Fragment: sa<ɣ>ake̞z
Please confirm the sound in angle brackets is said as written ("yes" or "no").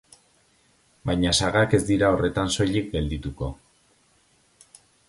yes